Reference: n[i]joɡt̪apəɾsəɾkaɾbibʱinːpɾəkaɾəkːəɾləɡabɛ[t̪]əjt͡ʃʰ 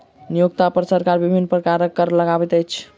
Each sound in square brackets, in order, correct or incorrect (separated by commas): correct, correct